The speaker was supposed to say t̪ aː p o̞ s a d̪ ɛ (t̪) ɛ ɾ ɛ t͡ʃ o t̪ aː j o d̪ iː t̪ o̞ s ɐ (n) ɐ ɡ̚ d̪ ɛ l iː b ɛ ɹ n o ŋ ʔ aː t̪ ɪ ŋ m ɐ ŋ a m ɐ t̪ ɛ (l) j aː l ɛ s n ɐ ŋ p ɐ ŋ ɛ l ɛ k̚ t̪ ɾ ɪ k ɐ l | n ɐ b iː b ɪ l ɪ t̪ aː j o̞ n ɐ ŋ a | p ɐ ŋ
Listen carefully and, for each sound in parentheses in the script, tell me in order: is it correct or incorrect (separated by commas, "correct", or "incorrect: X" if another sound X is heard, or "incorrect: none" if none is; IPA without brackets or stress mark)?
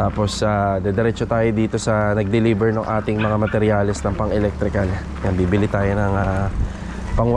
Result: incorrect: d̪, correct, incorrect: ɾ